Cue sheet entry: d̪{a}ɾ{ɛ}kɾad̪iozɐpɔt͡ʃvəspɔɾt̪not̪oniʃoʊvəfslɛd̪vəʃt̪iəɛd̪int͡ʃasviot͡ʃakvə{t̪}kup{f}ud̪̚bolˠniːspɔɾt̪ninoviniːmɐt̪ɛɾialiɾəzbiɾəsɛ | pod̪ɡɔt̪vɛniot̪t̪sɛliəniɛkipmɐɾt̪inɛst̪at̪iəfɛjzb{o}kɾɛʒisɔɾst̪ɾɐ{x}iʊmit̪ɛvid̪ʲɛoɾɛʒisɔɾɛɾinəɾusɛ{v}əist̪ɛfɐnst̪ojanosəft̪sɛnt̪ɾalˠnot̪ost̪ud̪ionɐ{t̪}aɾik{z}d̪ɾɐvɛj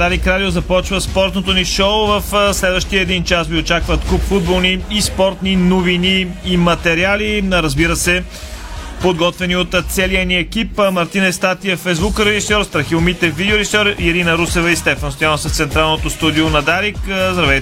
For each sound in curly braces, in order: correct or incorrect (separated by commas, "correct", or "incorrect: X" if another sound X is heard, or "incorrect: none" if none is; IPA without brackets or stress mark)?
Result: correct, incorrect: i, correct, correct, incorrect: u, correct, correct, incorrect: d̪, correct